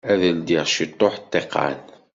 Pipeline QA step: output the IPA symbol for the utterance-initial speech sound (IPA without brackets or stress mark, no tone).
æ